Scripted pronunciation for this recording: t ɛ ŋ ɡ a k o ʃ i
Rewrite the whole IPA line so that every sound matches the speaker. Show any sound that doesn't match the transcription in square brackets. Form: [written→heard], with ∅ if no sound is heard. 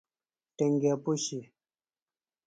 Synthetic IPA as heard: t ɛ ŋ ɡ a [k→p] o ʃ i